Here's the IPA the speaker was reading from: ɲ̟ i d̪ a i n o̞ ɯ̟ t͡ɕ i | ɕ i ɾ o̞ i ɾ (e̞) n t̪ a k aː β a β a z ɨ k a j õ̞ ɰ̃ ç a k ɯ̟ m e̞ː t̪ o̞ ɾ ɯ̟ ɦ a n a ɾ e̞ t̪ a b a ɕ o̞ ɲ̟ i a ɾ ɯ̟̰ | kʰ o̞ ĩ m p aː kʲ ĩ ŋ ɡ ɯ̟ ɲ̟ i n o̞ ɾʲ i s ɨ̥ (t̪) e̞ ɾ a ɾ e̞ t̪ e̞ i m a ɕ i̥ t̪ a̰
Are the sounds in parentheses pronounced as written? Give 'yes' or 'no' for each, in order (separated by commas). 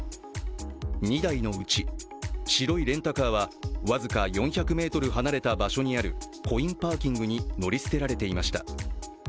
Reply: no, yes